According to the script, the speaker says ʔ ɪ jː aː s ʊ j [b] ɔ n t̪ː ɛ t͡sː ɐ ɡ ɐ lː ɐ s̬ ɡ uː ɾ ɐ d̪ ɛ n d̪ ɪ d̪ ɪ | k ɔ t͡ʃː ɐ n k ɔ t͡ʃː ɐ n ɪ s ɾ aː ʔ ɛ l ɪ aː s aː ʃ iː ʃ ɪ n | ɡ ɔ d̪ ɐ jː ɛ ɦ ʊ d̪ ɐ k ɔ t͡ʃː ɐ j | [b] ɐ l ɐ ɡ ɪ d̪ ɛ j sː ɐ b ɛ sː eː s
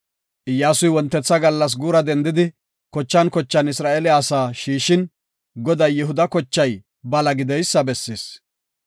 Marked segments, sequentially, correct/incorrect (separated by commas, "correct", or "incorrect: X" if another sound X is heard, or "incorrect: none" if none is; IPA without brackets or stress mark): incorrect: w, correct